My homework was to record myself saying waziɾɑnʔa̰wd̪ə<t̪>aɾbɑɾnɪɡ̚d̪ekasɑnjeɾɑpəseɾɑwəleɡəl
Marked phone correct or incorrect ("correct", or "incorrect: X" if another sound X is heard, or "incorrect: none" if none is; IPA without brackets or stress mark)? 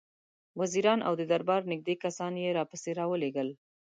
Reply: incorrect: d̪